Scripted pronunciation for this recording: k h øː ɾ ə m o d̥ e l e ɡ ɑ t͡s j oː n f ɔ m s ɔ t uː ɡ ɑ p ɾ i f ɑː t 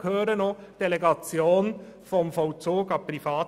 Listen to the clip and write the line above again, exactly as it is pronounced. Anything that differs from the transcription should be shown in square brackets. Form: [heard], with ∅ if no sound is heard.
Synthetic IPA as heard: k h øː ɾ ə [n] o d̥ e l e ɡ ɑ t͡s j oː n f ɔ m [f] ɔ [t͡s] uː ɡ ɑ p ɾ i f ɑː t

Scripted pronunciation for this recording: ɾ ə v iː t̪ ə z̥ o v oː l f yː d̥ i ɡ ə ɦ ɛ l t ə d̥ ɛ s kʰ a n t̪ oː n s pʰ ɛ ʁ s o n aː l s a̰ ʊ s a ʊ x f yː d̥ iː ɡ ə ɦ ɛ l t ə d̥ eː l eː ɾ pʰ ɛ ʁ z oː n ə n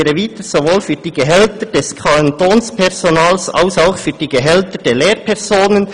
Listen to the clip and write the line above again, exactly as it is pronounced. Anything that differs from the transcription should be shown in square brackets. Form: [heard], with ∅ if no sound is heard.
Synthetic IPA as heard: ɾ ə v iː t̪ ə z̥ o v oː l f yː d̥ [iː] ɡ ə ɦ ɛ l t ə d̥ ɛ s kʰ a n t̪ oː n s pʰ ɛ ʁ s o n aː l s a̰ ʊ s a ʊ x f yː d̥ iː ɡ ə ɦ ɛ l t ə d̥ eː l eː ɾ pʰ ɛ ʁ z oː n ə n

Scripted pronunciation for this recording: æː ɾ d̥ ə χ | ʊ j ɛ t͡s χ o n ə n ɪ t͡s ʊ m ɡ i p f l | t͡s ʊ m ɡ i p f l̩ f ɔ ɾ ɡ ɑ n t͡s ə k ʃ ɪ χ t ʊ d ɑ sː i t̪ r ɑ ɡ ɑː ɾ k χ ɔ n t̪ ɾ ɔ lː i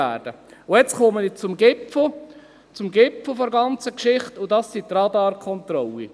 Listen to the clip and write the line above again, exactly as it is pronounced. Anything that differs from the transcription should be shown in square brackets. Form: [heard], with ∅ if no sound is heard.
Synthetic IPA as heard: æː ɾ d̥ ə [∅] | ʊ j ɛ t͡s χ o [m] ə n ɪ t͡s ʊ m ɡ [ɪ] p f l | t͡s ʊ m ɡ [ɪ] p f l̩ f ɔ ɾ ɡ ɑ n t͡s ə k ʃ ɪ χ t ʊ d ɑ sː i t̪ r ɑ [d] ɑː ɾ k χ ɔ n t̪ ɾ ɔ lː i

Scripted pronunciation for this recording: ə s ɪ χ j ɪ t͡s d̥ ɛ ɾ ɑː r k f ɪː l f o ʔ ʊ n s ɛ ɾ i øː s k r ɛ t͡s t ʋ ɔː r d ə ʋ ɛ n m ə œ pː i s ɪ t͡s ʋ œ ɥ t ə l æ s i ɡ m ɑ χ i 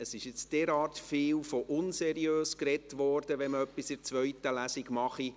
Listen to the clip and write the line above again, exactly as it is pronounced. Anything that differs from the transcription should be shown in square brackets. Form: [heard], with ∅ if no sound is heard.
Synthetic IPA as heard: ə s ɪ [ʃ] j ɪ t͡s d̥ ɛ ɾ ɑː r [t] f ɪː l f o ʔ ʊ n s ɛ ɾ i øː s k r ɛ [∅] t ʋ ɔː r d ə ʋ ɛ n m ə œ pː i s ɪ t͡s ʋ œ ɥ t ə l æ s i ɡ m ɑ χ i

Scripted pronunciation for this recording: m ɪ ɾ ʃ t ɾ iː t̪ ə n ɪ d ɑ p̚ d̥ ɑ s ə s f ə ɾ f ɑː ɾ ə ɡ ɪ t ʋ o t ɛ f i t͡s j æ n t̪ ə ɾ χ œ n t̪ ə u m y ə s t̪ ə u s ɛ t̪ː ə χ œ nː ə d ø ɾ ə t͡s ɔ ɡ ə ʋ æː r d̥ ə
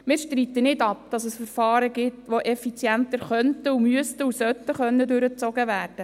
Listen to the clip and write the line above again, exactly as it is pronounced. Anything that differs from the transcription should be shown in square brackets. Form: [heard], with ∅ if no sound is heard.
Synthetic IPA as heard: m ɪ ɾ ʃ t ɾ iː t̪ ə n ɪ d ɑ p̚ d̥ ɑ s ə s f ə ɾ f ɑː ɾ ə ɡ ɪ t ʋ o [ʔ] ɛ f i t͡s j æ n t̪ ə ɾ χ œ n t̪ ə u m y ə s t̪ ə u s [œ] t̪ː ə χ œ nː ə d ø ɾ ə t͡s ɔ ɡ ə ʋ æː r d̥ ə

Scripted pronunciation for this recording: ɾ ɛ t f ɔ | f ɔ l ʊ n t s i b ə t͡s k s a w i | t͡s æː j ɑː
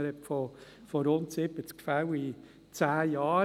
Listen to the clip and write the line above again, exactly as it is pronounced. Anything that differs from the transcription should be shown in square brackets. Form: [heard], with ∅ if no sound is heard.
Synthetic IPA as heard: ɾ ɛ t f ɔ | f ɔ [ɾ] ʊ n t s [ɪ] b ə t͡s k [f] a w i | t͡s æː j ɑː

